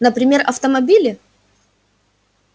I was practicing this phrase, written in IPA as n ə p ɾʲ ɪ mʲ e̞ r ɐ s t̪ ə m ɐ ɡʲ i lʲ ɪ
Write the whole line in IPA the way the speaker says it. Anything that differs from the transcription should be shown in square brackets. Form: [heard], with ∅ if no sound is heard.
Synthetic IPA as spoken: n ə p ɾʲ ɪ mʲ e̞ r ɐ [f] t̪ ə m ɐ [bʲ] i lʲ ɪ